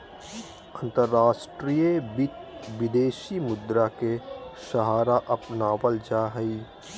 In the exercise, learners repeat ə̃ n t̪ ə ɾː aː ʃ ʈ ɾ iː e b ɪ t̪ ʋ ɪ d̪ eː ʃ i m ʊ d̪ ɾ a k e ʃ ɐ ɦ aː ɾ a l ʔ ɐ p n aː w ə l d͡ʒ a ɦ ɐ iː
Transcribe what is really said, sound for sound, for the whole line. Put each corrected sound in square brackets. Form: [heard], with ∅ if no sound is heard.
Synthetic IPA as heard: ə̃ n t̪ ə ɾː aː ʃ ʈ ɾ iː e b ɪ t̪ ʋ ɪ d̪ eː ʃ i m ʊ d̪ ɾ a k e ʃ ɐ ɦ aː ɾ a [∅] ʔ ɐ p n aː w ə l d͡ʒ a ɦ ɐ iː